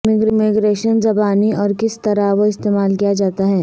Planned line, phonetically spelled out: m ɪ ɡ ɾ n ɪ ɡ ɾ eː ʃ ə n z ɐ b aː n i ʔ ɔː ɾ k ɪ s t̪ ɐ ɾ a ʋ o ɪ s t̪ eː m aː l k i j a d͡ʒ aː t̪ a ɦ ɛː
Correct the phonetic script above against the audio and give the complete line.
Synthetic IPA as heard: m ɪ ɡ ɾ m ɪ ɡ ɾ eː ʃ ə n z ɐ b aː n i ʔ ɔː ɾ k ɪ s t̪ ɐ ɾ a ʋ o ɪ s t̪ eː m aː l k i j a d͡ʒ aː t̪ a ɦ ɛː